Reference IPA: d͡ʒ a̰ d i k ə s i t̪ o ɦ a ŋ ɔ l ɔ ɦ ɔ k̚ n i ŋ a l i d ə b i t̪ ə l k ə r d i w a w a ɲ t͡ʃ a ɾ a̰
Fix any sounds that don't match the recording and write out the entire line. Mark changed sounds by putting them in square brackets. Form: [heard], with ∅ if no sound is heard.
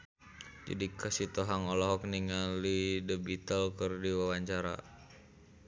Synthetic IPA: d͡ʒ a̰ d i k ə s i t̪ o ɦ a ŋ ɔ l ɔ ɦ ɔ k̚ n i ŋ a l i d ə b i t̪ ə l k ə r d i w a w a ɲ t͡ʃ a ɾ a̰